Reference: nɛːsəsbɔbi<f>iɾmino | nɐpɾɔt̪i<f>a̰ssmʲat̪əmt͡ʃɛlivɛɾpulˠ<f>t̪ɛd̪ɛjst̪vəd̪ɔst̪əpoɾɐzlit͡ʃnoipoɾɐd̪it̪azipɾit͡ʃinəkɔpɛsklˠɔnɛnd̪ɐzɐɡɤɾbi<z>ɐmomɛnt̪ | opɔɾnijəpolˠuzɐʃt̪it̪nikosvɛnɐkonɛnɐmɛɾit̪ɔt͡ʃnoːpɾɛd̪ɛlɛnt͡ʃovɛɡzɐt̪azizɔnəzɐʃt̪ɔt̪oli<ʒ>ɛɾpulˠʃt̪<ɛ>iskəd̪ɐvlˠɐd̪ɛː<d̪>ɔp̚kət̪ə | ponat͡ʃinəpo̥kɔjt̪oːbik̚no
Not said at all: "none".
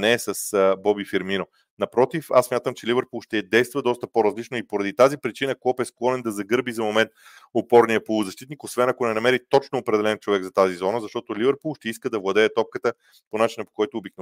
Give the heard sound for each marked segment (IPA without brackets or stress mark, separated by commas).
f, f, ʃ, z, v, ɛ, t̪